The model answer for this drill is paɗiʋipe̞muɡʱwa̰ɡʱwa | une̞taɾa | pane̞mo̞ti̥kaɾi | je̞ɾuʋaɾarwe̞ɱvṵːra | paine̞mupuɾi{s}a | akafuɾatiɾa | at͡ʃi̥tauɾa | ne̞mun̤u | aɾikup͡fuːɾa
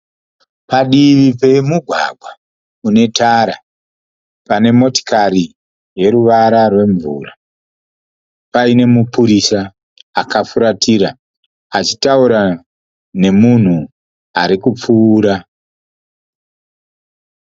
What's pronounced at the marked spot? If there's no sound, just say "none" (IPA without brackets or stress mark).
s